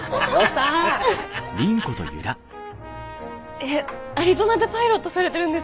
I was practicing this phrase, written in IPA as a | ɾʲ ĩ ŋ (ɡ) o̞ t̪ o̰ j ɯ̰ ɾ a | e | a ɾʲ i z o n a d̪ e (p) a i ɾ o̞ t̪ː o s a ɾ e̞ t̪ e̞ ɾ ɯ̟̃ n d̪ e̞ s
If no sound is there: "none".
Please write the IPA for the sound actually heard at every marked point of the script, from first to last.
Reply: k, p

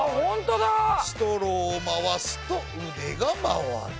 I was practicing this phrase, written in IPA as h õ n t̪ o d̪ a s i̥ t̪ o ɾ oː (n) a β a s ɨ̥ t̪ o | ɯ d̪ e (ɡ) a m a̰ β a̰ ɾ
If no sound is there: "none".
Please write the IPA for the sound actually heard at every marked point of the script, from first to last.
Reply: m, ɡ

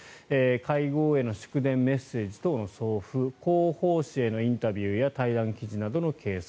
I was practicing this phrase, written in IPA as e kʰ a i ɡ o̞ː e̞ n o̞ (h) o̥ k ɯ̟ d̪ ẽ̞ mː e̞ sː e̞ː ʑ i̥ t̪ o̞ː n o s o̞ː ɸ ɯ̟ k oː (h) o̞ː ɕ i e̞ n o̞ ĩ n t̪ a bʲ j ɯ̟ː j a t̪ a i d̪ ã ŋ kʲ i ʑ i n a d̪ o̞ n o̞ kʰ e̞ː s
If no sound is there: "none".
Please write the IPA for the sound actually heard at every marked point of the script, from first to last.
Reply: ɕ, h

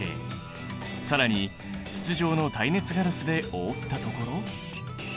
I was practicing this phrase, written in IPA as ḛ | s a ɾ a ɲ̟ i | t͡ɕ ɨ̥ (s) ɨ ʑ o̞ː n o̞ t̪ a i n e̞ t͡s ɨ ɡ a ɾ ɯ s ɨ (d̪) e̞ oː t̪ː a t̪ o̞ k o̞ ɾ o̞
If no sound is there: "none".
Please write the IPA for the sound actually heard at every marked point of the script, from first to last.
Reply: t͡s, d̪

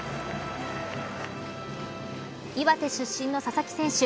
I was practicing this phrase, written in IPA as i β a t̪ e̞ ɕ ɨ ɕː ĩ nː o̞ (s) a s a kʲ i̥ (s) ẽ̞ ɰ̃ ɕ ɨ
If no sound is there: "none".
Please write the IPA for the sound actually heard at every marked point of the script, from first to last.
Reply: s, s

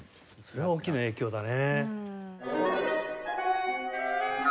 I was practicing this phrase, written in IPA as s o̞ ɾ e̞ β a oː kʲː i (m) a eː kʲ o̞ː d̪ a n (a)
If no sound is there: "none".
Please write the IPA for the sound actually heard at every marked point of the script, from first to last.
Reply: n, e

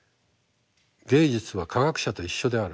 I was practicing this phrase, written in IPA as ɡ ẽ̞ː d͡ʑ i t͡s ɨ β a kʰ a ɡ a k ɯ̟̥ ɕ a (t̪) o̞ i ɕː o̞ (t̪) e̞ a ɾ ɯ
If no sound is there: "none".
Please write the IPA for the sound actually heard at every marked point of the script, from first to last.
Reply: t̪, d̪

